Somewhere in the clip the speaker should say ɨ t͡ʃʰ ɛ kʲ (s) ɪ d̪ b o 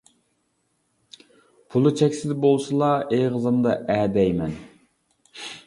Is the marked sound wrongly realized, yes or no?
no